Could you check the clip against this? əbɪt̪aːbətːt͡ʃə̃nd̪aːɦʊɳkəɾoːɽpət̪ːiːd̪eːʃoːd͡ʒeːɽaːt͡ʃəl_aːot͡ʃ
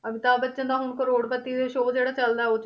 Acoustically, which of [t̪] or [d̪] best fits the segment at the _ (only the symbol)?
d̪